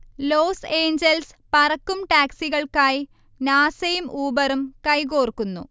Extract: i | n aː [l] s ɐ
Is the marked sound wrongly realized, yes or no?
yes